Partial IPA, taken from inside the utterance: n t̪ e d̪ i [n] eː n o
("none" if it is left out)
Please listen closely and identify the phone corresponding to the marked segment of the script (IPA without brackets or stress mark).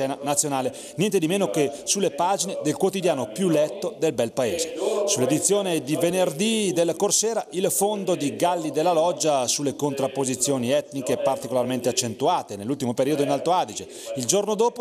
m